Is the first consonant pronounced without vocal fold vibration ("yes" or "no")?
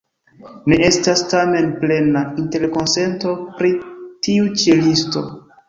no